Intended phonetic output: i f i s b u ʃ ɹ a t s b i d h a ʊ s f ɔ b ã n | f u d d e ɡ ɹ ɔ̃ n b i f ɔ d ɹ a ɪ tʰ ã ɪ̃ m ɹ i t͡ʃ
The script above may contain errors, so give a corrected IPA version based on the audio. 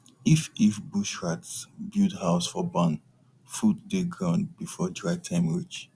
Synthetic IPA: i f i f b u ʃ ɹ a t s b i d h a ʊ s f ɔ b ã n | f u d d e ɡ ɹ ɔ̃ n b i f ɔ d ɹ a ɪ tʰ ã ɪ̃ m ɹ i t͡ʃ